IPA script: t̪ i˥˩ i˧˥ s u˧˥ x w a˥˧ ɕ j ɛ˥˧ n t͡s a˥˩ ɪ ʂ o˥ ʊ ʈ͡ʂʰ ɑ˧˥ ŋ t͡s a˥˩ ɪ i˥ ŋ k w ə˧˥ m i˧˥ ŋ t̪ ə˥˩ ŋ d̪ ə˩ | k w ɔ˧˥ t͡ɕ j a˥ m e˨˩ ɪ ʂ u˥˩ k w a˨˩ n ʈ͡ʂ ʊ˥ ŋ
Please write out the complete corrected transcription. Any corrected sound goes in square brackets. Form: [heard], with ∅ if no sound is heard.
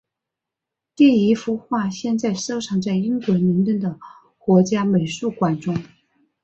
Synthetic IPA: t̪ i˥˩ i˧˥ [f] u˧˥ x w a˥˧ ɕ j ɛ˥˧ n t͡s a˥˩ ɪ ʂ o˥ ʊ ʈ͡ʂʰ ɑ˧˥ ŋ t͡s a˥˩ ɪ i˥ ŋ k w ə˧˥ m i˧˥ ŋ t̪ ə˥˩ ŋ d̪ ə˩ | k w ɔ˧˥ t͡ɕ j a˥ m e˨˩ ɪ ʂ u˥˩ k w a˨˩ n ʈ͡ʂ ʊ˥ ŋ